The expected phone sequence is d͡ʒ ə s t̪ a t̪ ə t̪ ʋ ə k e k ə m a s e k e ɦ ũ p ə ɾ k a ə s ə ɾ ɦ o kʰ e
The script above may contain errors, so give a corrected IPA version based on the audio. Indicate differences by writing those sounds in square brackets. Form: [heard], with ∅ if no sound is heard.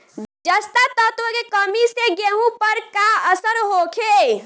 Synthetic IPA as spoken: d͡ʒ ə s t̪ a t̪ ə t̪ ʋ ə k e k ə m [i] s e [ɡ] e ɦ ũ p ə ɾ k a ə s ə ɾ ɦ o kʰ e